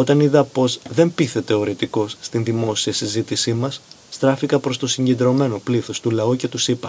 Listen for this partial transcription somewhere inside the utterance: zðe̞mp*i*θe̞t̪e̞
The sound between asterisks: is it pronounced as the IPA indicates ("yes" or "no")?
yes